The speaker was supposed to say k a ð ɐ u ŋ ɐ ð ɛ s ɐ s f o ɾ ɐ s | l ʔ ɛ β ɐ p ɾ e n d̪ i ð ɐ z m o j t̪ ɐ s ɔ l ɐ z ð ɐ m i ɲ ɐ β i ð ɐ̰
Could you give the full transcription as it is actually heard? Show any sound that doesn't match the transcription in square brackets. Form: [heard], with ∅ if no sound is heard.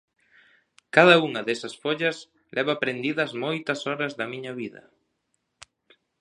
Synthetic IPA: k a ð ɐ u ŋ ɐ ð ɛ s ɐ s f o [ʎ] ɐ s | l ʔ ɛ β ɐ p ɾ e n d̪ i ð ɐ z m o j t̪ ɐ s ɔ [ɾ] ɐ z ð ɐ m i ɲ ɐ β i ð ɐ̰